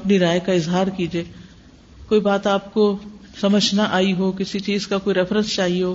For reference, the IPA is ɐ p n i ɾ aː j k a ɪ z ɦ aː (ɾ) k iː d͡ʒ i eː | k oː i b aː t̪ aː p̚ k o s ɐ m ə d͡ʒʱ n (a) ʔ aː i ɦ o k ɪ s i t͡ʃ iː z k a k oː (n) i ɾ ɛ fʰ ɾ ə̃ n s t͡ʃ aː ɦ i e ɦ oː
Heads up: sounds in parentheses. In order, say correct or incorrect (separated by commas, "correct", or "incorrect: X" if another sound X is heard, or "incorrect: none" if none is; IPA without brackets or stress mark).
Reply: correct, correct, incorrect: none